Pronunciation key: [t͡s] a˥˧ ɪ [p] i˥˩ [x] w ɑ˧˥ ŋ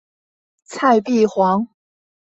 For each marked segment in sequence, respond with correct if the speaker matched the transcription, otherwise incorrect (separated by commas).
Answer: incorrect, correct, correct